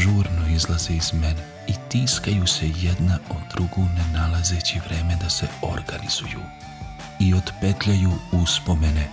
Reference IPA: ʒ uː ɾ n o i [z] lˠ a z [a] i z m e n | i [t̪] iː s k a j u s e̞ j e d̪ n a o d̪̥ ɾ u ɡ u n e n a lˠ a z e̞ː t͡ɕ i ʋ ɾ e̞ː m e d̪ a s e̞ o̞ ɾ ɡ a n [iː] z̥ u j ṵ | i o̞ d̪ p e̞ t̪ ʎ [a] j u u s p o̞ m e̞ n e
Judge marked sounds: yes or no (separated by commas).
yes, no, yes, no, yes